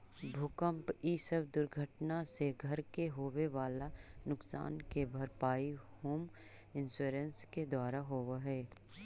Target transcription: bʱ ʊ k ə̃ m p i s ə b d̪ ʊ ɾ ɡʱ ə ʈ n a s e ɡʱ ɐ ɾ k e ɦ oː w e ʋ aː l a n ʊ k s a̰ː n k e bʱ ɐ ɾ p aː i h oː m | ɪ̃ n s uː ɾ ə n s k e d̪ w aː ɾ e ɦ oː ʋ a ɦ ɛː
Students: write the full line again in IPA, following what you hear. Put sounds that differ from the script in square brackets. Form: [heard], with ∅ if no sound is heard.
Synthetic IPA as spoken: bʱ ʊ k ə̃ m p i s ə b d̪ ʊ ɾ ɡʱ ə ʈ n a s e ɡʱ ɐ ɾ k e ɦ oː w e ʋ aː l a n ʊ k s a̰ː n k e bʱ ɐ ɾ p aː i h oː m | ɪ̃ n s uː ɾ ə n s k e d̪ w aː ɾ [a] ɦ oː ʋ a ɦ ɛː